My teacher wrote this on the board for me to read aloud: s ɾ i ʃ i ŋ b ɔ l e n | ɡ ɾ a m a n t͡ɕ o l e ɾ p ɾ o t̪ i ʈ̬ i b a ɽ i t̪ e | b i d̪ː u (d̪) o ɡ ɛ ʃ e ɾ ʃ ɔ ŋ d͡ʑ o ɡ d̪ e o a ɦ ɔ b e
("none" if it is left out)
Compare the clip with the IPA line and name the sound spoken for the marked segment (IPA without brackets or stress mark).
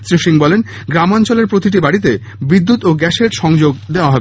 t̪